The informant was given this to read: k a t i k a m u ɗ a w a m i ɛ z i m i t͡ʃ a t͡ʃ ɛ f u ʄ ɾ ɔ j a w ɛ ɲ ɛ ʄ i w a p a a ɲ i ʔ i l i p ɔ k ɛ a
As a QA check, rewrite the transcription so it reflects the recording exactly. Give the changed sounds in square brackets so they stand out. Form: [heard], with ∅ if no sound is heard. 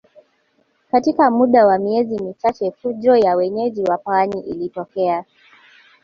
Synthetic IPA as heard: k a t i k a m u ɗ a w a m i ɛ z i m i t͡ʃ a t͡ʃ ɛ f u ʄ ɾ ɔ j a w ɛ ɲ ɛ ʄ i w a p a a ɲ i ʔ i l i [t] ɔ k ɛ a